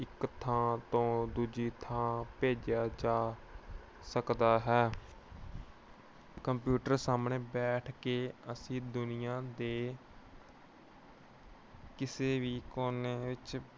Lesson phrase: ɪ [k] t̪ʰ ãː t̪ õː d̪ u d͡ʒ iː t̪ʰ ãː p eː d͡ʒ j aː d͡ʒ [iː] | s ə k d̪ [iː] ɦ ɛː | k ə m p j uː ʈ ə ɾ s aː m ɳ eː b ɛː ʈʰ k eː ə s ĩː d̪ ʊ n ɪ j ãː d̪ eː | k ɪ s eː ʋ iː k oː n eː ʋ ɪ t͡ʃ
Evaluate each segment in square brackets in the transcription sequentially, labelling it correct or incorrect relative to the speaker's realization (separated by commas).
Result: correct, incorrect, incorrect